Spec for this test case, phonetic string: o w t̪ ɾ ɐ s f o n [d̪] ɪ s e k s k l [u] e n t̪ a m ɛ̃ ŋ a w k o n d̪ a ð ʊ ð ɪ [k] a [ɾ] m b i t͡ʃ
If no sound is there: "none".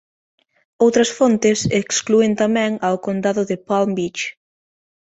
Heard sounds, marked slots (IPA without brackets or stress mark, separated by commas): t̪, u, p, l